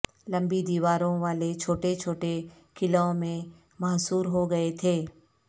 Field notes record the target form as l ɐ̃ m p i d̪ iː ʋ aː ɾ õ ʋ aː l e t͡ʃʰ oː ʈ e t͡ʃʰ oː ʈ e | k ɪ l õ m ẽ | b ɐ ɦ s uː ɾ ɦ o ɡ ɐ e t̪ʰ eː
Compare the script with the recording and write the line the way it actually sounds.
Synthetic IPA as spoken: l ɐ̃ m b i d̪ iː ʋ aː ɾ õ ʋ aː l e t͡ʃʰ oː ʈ e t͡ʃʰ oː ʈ e | k ɪ l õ m ẽ | m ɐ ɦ s uː ɾ ɦ o ɡ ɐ e t̪ʰ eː